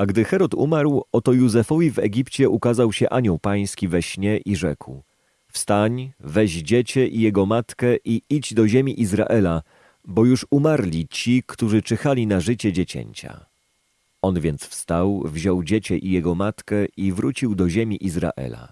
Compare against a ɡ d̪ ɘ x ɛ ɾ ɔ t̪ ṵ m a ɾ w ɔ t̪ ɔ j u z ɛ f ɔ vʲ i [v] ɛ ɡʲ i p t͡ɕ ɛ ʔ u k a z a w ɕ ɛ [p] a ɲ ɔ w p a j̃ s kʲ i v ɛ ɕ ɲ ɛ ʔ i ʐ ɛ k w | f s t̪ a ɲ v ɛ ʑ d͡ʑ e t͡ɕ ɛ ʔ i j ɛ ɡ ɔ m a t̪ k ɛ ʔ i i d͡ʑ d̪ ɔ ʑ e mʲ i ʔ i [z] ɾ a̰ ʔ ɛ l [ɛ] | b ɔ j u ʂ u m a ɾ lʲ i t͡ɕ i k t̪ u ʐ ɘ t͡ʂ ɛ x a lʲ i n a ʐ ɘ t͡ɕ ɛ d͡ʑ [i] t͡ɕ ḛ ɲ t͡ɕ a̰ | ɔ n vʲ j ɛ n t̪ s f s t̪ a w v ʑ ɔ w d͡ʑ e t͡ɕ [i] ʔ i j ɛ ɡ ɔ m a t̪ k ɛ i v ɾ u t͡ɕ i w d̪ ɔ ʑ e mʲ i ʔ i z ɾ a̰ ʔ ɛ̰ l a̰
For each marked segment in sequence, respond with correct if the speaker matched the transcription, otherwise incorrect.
correct, incorrect: ʔ, correct, incorrect: a, incorrect: e, incorrect: ɛ

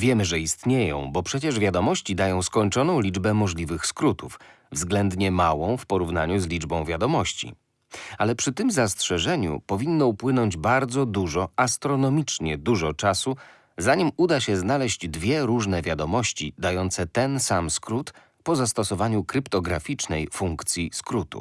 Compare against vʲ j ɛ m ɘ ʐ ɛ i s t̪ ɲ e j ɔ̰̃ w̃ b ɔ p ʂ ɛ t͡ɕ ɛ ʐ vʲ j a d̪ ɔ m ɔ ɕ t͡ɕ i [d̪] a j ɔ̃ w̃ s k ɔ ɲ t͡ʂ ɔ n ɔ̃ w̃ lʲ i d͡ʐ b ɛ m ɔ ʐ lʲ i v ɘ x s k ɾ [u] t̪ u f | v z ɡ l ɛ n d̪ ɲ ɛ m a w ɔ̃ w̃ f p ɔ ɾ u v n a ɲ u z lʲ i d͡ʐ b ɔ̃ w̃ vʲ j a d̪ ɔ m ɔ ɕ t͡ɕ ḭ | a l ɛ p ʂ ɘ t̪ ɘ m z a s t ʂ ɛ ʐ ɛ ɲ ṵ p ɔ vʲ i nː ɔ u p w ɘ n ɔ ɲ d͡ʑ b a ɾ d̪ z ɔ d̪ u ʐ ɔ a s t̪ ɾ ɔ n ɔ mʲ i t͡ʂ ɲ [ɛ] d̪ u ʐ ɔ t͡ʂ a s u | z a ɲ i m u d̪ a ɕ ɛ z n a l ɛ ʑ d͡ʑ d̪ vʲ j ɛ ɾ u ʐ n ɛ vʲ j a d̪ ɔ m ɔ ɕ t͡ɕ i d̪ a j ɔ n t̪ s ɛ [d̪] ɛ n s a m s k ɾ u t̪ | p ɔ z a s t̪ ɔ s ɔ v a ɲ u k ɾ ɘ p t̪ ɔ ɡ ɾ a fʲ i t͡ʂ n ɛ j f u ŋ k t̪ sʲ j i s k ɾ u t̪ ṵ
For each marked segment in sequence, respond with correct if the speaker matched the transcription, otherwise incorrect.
correct, correct, correct, incorrect: t̪

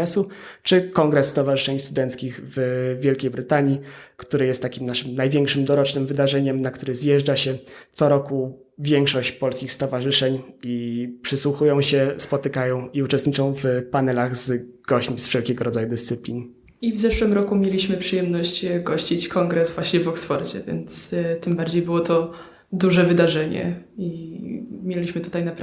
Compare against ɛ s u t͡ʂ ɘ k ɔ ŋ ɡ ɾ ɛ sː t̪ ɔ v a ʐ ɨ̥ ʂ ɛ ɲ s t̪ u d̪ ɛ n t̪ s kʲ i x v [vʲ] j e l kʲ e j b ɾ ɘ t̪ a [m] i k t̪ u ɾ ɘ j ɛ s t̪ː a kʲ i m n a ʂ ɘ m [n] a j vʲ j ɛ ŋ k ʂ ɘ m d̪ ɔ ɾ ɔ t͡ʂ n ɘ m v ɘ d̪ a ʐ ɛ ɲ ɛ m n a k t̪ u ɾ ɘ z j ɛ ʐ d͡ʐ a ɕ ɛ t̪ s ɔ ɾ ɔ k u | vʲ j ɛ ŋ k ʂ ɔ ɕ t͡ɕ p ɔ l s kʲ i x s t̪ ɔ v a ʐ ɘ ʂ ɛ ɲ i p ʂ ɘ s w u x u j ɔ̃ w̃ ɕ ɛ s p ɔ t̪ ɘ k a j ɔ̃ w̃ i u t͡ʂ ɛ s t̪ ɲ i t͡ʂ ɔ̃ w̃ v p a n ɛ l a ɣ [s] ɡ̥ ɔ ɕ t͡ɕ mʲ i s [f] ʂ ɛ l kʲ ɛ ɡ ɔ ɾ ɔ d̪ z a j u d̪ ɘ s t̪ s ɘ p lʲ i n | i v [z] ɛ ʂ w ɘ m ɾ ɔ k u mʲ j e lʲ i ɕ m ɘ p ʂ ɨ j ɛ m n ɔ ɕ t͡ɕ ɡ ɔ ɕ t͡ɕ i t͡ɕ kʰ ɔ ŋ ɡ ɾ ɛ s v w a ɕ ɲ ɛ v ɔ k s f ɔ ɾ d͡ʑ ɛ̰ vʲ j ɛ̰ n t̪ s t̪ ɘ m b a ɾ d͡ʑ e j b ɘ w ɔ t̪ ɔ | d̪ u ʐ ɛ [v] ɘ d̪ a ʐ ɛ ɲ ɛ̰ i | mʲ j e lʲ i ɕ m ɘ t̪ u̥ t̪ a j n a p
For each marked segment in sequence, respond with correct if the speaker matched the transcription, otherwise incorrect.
correct, incorrect: ɲ, correct, incorrect: z, correct, correct, correct

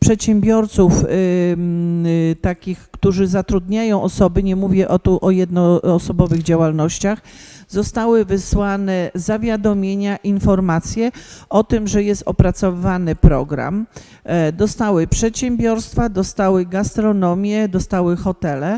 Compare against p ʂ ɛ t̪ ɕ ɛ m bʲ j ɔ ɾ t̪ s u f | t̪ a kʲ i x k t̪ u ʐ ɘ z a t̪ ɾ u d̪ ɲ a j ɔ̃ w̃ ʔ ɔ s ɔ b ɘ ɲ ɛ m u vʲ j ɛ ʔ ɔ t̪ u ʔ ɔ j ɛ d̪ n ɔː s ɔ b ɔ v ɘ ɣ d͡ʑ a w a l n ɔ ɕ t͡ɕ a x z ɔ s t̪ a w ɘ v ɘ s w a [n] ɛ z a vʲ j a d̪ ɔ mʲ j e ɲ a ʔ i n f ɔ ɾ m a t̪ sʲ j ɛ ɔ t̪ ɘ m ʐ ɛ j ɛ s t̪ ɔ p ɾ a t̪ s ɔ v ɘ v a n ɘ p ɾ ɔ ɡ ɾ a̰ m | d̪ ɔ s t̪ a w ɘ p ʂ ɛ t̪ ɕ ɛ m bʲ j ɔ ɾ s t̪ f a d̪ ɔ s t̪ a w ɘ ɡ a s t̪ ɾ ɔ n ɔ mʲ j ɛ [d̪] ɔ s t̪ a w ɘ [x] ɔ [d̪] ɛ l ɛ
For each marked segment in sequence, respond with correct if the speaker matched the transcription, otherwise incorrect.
correct, correct, correct, incorrect: t̪

